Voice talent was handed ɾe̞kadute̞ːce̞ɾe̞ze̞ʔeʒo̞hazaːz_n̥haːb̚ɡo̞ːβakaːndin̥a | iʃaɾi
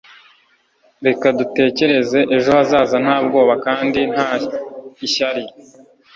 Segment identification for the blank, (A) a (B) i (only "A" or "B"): A